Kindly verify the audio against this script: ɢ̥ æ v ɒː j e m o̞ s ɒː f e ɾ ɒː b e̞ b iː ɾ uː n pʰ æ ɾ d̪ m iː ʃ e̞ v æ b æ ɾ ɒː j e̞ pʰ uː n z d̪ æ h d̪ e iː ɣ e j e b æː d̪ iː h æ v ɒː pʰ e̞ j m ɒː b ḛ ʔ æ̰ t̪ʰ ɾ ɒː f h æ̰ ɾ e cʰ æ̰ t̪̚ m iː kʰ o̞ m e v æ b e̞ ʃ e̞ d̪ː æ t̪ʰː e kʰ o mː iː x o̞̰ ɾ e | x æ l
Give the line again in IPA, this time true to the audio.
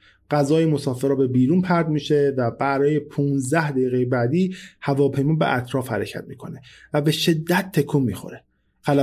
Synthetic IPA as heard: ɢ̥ æ z ɒː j e m o̞ s ɒː f e ɾ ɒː b e̞ b iː ɾ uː n pʰ æ ɾ d̪ m iː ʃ e̞ v æ b æ ɾ ɒː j e̞ pʰ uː n z d̪ æ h d̪ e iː ɣ e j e b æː d̪ iː h æ v ɒː pʰ e̞ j m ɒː b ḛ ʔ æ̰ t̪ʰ ɾ ɒː f h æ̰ ɾ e cʰ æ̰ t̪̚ m iː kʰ o̞ n e v æ b e̞ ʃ e̞ d̪ː æ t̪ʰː e kʰ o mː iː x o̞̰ ɾ e | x æ l